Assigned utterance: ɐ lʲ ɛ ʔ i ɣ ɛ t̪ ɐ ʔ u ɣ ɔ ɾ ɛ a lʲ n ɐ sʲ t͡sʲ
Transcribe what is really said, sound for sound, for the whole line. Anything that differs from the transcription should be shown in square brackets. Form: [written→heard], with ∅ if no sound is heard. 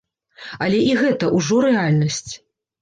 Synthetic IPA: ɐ lʲ ɛ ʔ i ɣ ɛ t̪ ɐ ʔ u [ɣ→ʐ] ɔ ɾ ɛ a lʲ n ɐ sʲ t͡sʲ